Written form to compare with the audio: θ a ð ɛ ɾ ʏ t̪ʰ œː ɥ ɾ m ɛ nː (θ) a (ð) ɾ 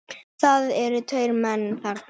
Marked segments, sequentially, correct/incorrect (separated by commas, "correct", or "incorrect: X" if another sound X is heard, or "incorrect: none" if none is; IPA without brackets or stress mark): correct, incorrect: none